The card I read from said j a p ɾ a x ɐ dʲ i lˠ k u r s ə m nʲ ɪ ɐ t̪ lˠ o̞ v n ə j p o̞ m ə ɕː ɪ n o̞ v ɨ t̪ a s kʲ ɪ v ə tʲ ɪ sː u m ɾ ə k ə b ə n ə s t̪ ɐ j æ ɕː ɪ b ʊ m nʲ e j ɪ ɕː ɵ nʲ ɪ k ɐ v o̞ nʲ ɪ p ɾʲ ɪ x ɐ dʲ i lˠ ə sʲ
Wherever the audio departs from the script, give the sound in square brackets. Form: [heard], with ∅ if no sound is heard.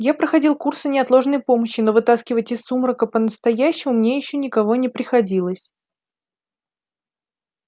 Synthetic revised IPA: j a p ɾ [ə] x ɐ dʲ i lˠ k u r s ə [∅] nʲ ɪ ɐ t̪ lˠ o̞ [ʐ] n ə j p o̞ m ə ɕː ɪ n o̞ v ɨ t̪ a s kʲ ɪ v ə tʲ ɪ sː u m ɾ ə k ə [p] ə n ə s t̪ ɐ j æ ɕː ɪ [m] ʊ m nʲ e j ɪ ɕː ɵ nʲ ɪ k ɐ v o̞ nʲ ɪ p ɾʲ ɪ x ɐ dʲ i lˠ ə sʲ